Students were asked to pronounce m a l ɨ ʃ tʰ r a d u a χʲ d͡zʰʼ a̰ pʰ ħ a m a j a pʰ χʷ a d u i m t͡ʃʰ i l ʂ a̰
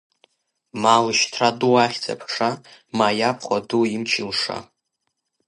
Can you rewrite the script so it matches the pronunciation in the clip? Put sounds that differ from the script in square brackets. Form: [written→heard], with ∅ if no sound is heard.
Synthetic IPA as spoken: m a l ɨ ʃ tʰ r a d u a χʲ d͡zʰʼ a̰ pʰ [ħ→ʂ] a m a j a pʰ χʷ a d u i m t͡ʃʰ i l ʂ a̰